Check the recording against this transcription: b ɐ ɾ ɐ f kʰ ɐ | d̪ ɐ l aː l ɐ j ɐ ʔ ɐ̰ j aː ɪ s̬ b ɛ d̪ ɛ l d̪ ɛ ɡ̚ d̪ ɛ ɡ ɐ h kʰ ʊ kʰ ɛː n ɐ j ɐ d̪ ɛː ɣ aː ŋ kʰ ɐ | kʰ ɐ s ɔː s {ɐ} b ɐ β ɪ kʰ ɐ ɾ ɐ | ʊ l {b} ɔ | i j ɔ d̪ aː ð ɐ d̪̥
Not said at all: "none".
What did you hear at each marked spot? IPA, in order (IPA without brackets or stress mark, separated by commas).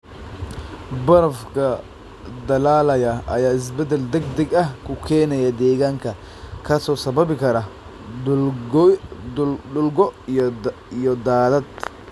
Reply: ɐ, ɡ